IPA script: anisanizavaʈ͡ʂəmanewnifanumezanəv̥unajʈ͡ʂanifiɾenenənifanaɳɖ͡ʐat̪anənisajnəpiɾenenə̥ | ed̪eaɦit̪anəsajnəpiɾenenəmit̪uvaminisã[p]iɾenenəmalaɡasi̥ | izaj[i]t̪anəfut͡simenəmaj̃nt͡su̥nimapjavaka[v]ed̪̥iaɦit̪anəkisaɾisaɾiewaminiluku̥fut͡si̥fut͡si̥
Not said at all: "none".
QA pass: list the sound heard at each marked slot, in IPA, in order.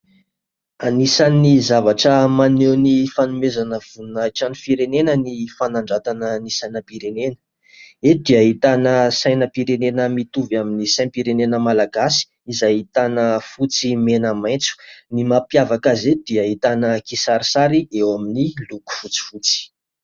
p, i, z

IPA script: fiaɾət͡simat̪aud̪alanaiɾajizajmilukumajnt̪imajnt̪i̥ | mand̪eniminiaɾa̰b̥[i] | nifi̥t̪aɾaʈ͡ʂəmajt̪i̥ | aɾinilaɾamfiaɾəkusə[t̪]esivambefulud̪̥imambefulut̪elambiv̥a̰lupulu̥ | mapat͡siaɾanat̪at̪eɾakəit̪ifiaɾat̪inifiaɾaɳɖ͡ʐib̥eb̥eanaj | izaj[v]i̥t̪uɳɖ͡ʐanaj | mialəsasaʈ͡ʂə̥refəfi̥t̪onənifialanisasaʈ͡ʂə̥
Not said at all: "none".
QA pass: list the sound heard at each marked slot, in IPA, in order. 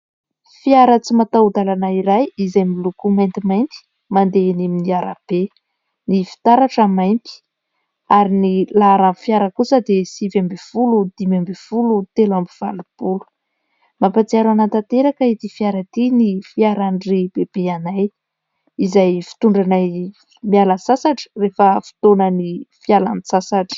e, d̪, f

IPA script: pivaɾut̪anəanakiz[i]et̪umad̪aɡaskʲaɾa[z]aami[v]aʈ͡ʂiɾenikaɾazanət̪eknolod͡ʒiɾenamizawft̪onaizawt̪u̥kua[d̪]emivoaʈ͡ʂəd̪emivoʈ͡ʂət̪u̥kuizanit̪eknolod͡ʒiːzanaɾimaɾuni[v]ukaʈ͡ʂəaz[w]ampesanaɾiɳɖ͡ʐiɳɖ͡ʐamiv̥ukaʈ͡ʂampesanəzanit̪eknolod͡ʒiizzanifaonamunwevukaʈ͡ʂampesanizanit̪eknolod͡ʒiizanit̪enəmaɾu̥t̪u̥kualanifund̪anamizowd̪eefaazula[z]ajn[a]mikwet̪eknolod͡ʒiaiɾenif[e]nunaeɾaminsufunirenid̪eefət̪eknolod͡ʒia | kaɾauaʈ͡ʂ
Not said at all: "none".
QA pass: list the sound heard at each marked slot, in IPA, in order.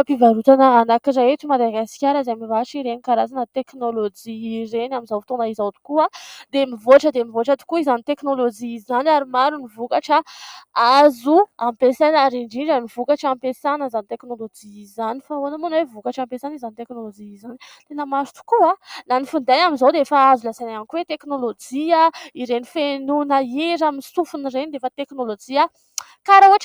a, z, v, d̪, v, u, s, a, e

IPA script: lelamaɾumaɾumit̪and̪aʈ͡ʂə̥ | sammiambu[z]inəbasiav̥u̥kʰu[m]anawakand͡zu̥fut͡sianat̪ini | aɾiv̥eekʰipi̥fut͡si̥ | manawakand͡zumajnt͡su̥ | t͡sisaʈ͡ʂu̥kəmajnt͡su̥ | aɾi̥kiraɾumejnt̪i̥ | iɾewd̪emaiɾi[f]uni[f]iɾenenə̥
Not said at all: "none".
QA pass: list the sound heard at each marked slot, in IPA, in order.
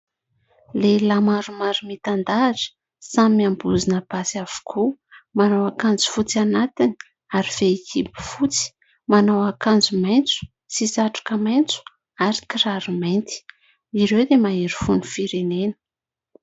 z, m, f, f

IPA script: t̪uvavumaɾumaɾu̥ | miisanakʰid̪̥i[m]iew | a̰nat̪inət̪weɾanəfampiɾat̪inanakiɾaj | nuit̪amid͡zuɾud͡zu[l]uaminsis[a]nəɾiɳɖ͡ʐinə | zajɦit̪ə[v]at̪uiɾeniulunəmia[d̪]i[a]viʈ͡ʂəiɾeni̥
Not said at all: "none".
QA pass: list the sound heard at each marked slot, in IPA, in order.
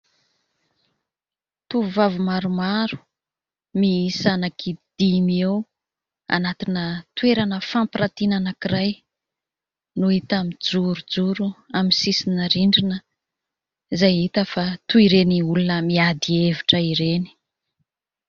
m, ɾ, i, f, d̪, e

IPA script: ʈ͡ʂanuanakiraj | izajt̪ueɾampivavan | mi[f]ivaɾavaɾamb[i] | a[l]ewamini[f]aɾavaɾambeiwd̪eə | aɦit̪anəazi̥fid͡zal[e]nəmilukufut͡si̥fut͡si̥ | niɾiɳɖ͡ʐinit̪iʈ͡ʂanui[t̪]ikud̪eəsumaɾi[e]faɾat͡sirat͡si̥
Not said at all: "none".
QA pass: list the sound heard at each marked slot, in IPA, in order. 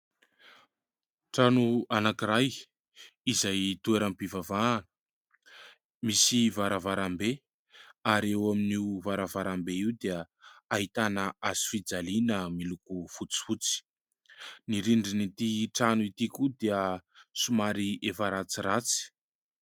s, e, ɾ, v, i, t̪, e

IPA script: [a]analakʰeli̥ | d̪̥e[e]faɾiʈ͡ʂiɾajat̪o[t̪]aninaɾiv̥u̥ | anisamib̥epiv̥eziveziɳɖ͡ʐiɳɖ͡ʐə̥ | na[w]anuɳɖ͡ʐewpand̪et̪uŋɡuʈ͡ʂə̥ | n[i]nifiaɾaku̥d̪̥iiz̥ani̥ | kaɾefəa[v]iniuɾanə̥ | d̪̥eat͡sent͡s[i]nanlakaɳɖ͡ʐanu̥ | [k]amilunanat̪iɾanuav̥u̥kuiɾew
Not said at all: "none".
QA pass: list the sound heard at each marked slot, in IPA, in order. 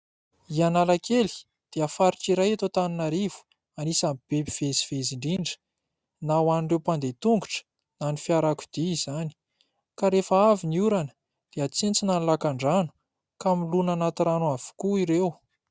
i, a, t̪, w, a, v, i, k

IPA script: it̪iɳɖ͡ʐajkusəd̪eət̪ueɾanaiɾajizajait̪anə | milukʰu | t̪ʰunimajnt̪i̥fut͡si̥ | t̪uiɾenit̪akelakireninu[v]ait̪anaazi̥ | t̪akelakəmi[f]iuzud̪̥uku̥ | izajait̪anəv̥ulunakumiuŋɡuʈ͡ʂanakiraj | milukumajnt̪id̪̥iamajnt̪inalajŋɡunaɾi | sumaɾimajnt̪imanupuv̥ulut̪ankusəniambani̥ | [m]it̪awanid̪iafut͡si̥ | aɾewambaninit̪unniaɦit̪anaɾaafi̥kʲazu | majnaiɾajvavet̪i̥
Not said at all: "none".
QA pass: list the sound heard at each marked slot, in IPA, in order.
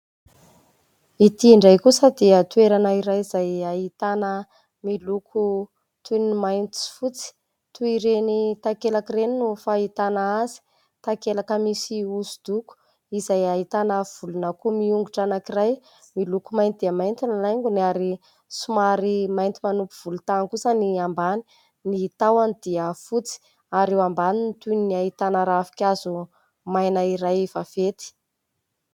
f, s, n

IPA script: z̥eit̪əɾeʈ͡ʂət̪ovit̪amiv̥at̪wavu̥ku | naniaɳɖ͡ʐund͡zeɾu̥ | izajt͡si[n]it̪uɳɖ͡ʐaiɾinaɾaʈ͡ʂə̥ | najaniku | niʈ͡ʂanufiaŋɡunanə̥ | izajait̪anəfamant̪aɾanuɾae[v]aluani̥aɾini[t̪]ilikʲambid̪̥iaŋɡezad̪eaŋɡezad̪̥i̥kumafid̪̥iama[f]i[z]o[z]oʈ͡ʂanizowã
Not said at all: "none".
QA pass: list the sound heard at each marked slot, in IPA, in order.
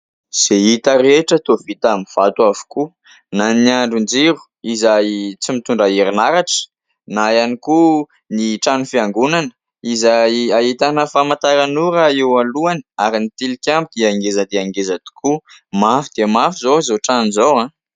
m, w, t̪, f, z, z

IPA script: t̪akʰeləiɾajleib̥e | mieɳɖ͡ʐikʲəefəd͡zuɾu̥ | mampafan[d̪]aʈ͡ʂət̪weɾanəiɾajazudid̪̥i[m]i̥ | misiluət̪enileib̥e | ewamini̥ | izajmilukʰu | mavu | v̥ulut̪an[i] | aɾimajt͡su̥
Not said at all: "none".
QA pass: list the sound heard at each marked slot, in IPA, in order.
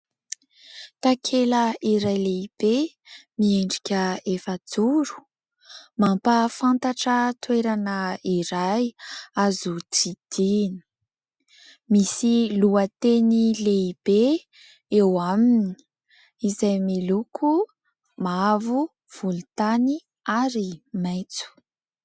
t̪, n, i

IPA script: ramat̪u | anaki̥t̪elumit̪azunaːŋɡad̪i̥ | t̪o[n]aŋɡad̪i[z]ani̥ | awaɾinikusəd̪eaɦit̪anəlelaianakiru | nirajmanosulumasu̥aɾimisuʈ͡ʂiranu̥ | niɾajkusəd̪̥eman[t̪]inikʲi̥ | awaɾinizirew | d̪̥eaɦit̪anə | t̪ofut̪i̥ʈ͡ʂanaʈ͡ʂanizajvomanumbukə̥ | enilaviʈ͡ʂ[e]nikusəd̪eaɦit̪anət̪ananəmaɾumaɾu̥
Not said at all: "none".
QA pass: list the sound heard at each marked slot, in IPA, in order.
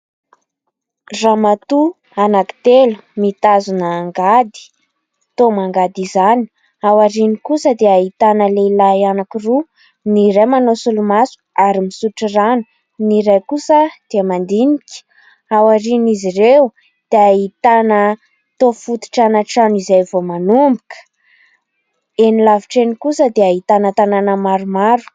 m, z, d̪, e

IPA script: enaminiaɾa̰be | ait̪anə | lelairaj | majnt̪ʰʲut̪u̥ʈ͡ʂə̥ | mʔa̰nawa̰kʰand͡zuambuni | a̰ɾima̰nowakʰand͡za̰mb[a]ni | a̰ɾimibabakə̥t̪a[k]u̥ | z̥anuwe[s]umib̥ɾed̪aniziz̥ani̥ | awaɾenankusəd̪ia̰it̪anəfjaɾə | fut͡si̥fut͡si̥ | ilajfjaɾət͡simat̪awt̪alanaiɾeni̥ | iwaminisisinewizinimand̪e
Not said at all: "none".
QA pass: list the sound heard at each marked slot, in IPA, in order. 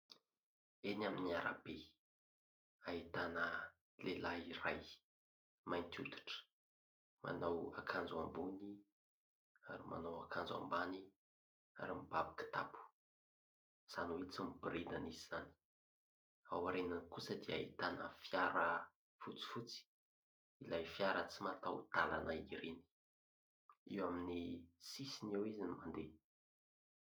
a, p, t͡s

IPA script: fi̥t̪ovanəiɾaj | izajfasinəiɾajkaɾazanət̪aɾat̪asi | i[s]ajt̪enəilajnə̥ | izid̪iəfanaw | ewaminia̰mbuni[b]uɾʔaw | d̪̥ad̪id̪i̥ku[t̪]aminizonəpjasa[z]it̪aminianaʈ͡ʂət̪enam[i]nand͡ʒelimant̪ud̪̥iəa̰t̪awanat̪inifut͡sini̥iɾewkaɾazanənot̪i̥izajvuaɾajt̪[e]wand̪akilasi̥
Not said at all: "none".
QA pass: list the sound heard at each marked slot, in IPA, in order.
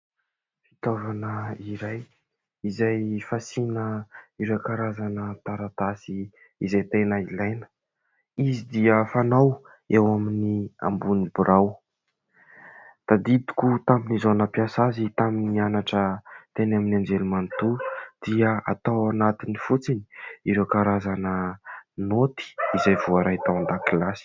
z, b, t̪, z, i, a

